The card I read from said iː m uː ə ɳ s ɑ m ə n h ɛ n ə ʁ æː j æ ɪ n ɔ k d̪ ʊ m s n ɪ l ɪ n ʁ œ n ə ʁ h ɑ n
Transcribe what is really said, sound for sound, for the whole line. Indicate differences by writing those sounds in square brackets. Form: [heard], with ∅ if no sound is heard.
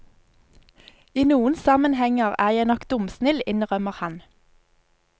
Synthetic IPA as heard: iː [n] uː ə [n] s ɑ m ə n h ɛ [ŋ] ə ʁ æː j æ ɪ n ɔ k d̪ ʊ m s n ɪ l ɪ n ʁ œ [m] ə ʁ h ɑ n

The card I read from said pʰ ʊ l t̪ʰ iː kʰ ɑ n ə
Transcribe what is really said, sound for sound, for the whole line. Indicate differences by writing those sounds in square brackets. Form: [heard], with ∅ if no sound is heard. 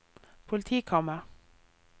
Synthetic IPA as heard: pʰ ʊ l t̪ʰ iː kʰ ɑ [m] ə

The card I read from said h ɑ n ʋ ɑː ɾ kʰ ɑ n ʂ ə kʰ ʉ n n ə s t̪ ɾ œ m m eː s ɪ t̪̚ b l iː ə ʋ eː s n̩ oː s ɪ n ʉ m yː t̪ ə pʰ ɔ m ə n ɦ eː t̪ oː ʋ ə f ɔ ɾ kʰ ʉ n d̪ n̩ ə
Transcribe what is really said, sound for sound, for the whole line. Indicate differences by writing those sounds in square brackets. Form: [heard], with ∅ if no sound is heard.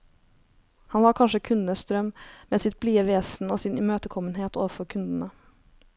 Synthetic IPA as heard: h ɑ n ʋ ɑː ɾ kʰ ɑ n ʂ ə kʰ ʉ n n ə s t̪ ɾ œ m m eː s ɪ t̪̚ b l iː ə ʋ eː s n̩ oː s ɪ n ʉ m [øː] t̪ ə [kʰ] ɔ m ə n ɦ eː t̪ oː ʋ ə f ɔ ɾ kʰ ʉ n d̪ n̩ ə

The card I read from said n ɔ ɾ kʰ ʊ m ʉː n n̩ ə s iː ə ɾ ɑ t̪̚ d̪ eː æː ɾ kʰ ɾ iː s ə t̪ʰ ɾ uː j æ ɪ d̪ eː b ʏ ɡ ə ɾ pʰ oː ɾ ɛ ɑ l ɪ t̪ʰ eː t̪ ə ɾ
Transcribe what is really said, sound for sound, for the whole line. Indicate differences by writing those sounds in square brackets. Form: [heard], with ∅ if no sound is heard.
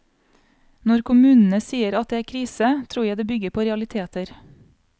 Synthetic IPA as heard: n ɔ ɾ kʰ ʊ m ʉː n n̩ ə s iː ə ɾ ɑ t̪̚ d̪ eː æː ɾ kʰ ɾ iː s ə t̪ʰ ɾ uː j æ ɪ d̪ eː b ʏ ɡ ə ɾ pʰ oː ɾ ɛ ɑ l ɪ t̪ʰ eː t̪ ə ɾ

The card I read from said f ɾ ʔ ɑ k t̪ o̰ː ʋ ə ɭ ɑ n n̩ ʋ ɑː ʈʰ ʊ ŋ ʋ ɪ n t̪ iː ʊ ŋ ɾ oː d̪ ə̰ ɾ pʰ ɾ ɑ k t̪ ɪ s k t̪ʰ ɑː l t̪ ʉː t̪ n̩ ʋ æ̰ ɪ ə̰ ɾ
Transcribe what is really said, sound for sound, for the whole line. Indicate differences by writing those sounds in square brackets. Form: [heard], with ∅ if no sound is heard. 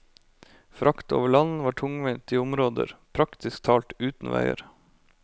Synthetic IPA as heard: f ɾ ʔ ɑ k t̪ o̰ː ʋ ə ɭ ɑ n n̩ ʋ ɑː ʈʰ ʊ ŋ ʋ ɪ n t̪ iː ʊ [m] ɾ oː d̪ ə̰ ɾ pʰ ɾ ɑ k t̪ ɪ s k t̪ʰ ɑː l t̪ ʉː t̪ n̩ ʋ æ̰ ɪ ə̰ ɾ

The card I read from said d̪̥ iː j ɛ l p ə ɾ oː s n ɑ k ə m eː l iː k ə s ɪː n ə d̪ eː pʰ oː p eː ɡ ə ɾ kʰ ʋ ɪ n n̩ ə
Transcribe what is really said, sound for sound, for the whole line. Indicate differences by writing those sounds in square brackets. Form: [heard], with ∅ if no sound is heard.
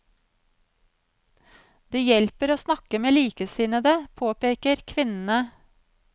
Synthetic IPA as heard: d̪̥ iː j ɛ l p ə ɾ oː s n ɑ k ə m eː l iː k ə s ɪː n ə d̪ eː pʰ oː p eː [k] ə ɾ kʰ ʋ ɪ n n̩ ə

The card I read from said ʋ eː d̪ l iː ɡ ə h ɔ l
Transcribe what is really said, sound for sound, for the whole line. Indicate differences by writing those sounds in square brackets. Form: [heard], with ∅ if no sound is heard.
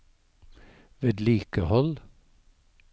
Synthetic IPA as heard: ʋ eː d̪ l iː [k] ə h ɔ l

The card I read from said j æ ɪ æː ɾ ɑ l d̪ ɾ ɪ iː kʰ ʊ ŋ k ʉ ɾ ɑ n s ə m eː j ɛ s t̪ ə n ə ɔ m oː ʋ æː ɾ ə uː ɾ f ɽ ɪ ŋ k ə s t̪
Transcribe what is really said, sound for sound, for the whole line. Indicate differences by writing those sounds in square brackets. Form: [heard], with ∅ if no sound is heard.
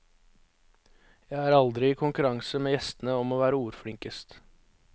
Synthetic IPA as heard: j æ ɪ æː ɾ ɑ l d̪ ɾ ɪ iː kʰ ʊ ŋ k ʉ ɾ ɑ [ŋ] s ə m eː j ɛ s t̪ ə n ə ɔ m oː ʋ æː ɾ ə uː ɾ f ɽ ɪ ŋ k ə s t̪

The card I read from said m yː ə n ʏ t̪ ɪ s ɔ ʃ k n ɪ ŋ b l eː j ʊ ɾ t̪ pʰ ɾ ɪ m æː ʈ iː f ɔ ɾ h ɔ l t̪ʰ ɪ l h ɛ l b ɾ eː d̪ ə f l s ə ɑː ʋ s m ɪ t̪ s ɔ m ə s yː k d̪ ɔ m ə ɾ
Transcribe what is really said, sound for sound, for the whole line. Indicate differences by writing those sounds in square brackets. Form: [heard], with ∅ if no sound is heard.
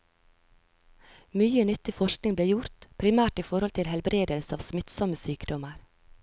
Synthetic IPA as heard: m yː ə n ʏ t̪ ɪ [f] ɔ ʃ k n ɪ ŋ b l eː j ʊ ɾ t̪ pʰ ɾ ɪ m æː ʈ iː f ɔ ɾ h ɔ l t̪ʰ ɪ l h ɛ l b ɾ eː d̪ ə [∅] l s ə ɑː ʋ s m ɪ t̪ s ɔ m ə s yː k d̪ ɔ m ə ɾ

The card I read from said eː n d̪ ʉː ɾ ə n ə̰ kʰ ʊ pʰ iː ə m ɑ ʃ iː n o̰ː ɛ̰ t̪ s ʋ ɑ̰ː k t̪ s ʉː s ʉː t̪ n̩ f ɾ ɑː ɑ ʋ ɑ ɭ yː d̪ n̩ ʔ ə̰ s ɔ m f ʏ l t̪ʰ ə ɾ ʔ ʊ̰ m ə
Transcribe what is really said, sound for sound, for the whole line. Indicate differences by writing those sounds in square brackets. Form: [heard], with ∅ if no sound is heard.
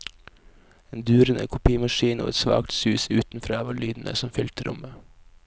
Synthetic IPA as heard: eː n d̪ ʉː ɾ ə n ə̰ kʰ ʊ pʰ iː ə m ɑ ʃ iː n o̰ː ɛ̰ t̪ s ʋ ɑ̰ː k t̪ s ʉː s ʉː t̪ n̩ f ɾ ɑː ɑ ʋ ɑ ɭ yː d̪ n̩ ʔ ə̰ s ɔ m f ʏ l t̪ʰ ə ɾ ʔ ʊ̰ m ə

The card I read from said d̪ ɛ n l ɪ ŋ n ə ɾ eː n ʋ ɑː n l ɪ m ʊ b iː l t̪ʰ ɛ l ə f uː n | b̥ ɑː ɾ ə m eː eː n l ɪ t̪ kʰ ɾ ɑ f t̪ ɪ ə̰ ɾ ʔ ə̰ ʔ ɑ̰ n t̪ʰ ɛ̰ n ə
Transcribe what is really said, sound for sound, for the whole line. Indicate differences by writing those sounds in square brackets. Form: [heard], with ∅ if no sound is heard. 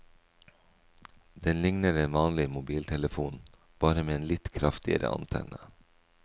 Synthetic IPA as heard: d̪ ɛ n l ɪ ŋ n ə ɾ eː n ʋ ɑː n l ɪ m ʊ b iː l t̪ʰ ɛ l ə f uː n | b̥ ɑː ɾ ə m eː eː n l ɪ t̪ kʰ ɾ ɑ f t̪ ɪ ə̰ ɾ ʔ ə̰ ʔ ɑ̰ n t̪ʰ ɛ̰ n ə

